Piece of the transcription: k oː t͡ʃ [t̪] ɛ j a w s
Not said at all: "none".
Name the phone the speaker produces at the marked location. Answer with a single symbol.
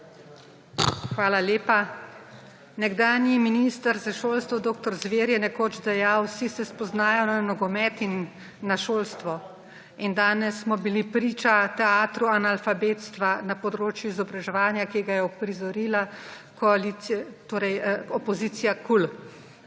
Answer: d̪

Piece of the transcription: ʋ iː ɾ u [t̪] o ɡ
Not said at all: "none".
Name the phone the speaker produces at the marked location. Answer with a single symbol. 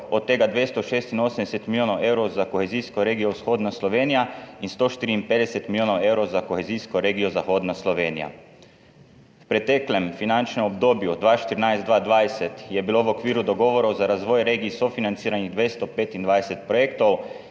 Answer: d̪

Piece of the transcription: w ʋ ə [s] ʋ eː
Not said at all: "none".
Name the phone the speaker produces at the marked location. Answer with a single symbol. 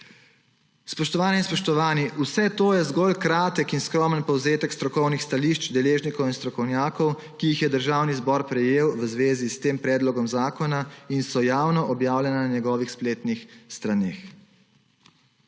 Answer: z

